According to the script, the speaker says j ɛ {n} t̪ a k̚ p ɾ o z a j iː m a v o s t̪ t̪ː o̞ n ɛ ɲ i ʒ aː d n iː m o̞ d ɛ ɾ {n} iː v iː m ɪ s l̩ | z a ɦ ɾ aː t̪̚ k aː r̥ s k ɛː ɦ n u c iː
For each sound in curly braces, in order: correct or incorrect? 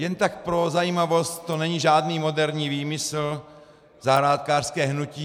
correct, incorrect

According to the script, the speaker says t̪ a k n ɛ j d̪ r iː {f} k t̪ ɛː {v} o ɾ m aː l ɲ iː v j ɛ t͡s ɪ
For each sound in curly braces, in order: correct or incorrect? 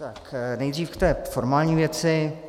correct, incorrect

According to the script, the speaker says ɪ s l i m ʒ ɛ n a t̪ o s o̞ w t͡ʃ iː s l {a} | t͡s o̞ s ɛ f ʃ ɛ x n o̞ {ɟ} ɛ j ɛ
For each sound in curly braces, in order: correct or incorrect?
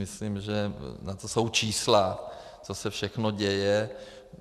correct, correct

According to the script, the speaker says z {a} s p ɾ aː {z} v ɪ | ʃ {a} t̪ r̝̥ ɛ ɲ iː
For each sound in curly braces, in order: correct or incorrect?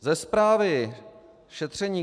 incorrect, incorrect, incorrect

